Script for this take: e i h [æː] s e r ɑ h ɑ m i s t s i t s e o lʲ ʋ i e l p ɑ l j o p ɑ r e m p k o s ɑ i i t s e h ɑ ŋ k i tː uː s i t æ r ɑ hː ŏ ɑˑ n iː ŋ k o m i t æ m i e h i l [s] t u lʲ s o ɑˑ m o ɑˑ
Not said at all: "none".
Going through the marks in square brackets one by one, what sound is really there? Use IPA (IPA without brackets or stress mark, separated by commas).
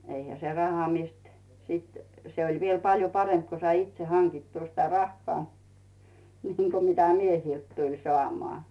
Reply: æ, t